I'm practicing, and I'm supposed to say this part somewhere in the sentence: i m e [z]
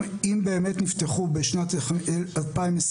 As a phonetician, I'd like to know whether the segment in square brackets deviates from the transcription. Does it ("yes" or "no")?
yes